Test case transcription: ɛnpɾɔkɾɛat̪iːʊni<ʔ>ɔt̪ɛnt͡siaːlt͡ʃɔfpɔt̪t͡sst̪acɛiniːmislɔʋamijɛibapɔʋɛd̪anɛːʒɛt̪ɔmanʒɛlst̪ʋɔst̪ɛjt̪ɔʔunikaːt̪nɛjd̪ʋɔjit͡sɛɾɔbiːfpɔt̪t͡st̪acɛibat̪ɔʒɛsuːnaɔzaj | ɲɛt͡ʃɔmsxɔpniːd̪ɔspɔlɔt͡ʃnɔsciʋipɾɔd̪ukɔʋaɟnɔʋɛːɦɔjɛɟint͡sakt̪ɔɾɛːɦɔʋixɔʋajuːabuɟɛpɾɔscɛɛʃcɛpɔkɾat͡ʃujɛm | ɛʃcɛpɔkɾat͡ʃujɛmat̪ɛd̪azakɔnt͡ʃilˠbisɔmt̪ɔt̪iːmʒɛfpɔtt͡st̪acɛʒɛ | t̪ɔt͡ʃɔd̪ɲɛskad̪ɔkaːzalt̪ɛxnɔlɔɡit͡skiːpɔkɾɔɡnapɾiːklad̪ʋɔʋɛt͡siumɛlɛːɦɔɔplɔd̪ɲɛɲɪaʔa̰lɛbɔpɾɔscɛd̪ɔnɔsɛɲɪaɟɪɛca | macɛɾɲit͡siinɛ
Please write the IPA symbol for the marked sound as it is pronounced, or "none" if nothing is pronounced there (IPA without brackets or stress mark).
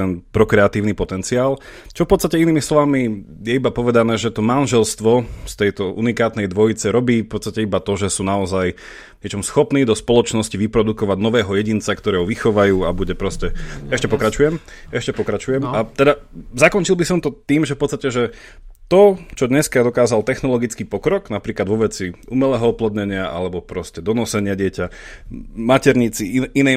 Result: p